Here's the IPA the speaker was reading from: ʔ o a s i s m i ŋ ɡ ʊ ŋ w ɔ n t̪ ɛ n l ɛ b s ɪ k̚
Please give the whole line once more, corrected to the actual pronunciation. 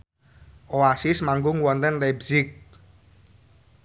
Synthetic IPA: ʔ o a s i s m a ŋ ɡ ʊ ŋ w ɔ n t̪ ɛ n l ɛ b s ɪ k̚